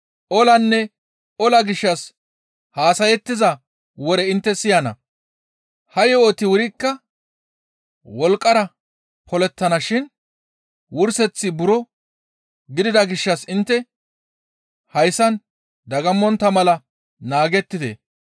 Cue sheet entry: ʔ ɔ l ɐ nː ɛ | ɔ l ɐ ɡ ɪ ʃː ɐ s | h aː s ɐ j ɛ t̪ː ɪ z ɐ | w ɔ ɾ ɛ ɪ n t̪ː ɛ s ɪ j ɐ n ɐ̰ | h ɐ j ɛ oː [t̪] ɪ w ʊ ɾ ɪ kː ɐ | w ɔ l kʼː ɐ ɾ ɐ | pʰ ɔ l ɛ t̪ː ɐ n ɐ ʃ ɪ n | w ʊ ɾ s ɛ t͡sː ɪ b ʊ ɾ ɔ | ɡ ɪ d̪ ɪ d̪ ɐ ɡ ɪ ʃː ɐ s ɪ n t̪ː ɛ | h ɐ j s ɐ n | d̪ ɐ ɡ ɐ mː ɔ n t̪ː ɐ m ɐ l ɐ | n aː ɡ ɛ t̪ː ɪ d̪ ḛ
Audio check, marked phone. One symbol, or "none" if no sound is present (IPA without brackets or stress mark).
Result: t̪